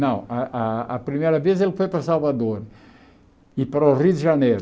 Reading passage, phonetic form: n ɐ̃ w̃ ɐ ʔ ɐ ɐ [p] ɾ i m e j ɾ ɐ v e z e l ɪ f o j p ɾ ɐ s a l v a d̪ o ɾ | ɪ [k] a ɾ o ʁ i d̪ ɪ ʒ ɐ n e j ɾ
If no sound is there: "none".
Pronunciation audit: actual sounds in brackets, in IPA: p, p

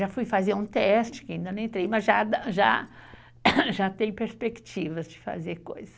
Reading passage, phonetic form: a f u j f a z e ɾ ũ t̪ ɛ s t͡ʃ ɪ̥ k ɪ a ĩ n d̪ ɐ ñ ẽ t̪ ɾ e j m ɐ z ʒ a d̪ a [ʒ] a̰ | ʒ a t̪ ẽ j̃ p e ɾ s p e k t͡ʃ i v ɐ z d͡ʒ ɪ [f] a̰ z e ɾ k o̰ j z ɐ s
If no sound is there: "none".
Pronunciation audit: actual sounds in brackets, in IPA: ʒ, f

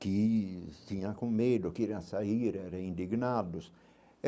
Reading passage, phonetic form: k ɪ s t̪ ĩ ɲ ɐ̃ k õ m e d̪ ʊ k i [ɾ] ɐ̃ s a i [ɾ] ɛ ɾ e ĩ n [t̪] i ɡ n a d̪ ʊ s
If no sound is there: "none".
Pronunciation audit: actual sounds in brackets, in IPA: ɾ, ɾ, d̪

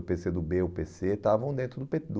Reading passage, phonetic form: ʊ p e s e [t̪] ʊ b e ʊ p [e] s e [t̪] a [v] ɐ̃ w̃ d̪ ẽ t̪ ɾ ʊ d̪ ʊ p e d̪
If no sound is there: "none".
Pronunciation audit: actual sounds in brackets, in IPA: d̪, e, t̪, v

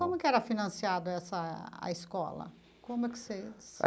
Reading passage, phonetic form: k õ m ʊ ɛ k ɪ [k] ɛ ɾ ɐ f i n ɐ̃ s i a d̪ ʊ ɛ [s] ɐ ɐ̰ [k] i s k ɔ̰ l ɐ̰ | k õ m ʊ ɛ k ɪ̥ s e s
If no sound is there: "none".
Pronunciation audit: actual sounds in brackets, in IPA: none, s, none

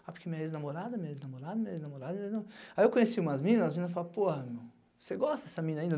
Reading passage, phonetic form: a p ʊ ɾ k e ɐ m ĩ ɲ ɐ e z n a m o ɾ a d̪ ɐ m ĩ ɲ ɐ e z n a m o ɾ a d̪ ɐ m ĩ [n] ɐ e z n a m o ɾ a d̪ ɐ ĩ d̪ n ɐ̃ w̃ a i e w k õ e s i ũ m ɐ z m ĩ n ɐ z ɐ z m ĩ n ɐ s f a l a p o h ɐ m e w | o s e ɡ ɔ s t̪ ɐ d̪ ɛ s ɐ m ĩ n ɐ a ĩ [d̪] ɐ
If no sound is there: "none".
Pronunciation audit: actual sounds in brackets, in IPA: ɲ, d̪

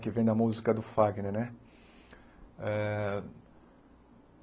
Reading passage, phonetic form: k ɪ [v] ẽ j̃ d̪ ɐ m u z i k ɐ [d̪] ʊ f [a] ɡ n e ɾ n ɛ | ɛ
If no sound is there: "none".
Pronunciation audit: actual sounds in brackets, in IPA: v, d̪, a

